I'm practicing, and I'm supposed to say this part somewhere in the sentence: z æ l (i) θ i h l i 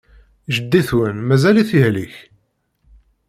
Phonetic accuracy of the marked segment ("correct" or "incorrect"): correct